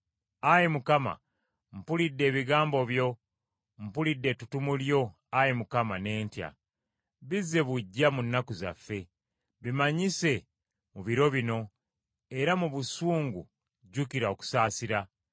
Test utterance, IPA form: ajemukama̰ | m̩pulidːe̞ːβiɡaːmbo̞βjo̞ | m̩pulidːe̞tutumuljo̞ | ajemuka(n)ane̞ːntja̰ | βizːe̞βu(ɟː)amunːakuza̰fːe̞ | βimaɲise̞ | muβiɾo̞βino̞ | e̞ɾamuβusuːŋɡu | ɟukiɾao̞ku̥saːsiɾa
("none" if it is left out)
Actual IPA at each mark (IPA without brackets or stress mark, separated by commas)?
m, ɟː